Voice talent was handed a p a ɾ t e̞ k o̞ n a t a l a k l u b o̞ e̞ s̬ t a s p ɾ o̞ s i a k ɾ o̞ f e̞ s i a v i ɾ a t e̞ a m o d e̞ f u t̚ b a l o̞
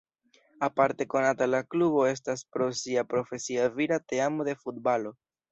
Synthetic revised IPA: a p a ɾ t e̞ k o̞ n a t a l a k l u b o̞ e̞ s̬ t a s p ɾ o̞ s i a p ɾ o̞ f e̞ s i a v i ɾ a t e̞ a m o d e̞ f u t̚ b a l o̞